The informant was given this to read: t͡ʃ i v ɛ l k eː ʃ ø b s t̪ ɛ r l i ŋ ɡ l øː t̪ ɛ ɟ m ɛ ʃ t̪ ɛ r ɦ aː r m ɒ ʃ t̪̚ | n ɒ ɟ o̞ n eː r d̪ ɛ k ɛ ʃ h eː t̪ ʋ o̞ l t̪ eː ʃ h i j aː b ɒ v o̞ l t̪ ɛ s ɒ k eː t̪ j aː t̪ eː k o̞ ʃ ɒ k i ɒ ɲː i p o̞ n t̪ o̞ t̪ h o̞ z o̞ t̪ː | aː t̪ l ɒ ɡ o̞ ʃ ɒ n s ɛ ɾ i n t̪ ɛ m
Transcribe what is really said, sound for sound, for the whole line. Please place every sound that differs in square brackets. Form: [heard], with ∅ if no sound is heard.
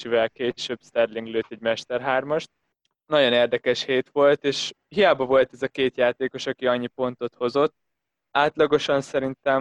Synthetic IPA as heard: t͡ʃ i v ɛ l k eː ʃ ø b s t̪ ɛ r l i ŋ ɡ l øː t̪ ɛ ɟ m ɛ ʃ t̪ ɛ r ɦ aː r m ɒ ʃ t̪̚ | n ɒ ɟ o̞ n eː r d̪ ɛ k ɛ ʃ h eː t̪ ʋ o̞ l t̪ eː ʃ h i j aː b ɒ v o̞ l t̪ ɛ [z] ɒ k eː t̪ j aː t̪ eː k o̞ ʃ ɒ k i ɒ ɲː i p o̞ n t̪ o̞ t̪ h o̞ z o̞ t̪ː | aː t̪ l ɒ ɡ o̞ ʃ ɒ n s ɛ ɾ i n t̪ ɛ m